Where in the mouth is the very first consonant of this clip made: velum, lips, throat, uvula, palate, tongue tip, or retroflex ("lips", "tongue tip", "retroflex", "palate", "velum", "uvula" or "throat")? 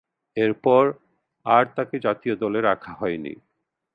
tongue tip